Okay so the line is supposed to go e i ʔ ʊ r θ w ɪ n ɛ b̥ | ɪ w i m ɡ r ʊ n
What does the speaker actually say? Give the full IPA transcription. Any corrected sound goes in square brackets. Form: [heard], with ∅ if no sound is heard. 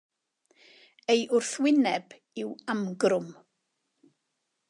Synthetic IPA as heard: e [j] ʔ ʊ r θ w ɪ n ɛ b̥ | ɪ w [a] m ɡ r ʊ [m]